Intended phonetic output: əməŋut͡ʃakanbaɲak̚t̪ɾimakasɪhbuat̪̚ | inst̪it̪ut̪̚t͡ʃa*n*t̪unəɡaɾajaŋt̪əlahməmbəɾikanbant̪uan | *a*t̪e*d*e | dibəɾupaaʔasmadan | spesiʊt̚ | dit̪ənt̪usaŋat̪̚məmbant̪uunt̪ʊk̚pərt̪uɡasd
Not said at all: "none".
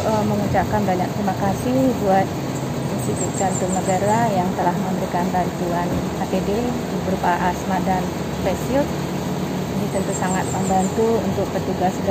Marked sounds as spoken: n, a, d

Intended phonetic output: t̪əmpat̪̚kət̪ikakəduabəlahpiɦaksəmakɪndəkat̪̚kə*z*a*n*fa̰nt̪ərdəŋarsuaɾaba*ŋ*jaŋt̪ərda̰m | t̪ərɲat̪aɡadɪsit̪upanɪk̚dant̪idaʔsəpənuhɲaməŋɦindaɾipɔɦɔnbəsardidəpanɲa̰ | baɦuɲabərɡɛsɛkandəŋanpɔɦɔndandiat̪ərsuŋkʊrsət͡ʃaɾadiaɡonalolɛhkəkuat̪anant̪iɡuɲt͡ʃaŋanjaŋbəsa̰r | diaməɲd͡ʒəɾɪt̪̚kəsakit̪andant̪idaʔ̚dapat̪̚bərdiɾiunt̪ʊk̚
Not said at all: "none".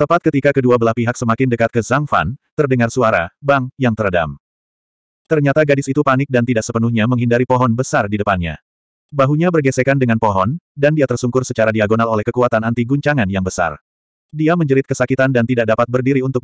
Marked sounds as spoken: z, ŋ, ŋ

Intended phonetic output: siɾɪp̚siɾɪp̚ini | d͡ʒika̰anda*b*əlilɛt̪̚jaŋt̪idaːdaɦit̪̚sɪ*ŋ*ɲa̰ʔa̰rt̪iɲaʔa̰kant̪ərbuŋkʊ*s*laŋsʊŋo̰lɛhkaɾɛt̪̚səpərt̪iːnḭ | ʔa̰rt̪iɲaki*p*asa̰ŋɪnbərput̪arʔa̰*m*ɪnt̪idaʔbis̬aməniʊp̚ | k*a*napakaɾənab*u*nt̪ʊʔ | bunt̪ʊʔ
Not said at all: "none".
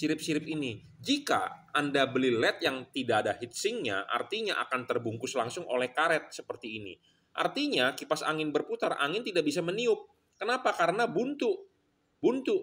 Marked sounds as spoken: b, ŋ, s, p, ŋ, ə, u

